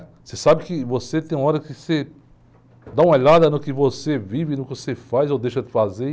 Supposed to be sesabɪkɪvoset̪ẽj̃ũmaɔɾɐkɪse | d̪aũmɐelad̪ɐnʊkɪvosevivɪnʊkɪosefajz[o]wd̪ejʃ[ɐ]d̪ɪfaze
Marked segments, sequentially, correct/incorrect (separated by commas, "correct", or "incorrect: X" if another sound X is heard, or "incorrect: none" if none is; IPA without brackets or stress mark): correct, correct